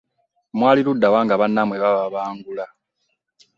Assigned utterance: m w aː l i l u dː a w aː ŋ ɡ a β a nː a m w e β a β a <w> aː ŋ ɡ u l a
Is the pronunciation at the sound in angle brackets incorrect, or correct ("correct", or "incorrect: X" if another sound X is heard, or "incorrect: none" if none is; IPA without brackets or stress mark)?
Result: incorrect: β